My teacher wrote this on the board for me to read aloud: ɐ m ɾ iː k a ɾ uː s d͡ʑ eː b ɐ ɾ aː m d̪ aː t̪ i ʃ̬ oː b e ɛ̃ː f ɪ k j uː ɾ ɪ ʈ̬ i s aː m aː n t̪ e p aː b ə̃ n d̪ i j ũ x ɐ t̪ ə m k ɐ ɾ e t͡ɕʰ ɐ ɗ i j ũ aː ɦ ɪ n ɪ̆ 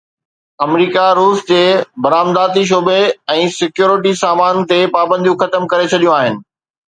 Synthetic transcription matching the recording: ɐ m ɾ iː k a ɾ uː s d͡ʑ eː b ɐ ɾ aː m d̪ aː t̪ i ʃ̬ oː b e ɛ̃ː s ɪ k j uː ɾ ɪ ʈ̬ i s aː m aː n t̪ e p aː b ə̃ n d̪ i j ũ x ɐ t̪ ə m k ɐ ɾ e t͡ɕʰ ɐ ɗ i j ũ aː ɦ ɪ n ɪ̆